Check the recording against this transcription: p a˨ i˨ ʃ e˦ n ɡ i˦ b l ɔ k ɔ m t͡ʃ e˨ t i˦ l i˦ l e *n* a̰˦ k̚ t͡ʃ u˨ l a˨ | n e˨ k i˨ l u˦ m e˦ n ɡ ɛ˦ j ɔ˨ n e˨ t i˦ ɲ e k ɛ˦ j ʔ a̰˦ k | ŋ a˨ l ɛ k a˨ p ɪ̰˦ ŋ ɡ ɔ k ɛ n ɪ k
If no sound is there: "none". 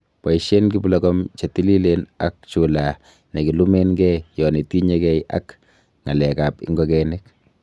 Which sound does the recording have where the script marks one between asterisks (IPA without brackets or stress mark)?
n